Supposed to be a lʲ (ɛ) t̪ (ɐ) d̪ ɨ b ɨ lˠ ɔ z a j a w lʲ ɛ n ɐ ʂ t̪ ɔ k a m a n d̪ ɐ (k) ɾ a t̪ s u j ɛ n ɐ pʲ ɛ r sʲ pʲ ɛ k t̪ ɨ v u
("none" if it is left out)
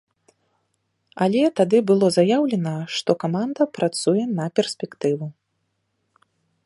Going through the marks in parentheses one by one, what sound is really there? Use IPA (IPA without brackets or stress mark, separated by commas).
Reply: ɛ, a, p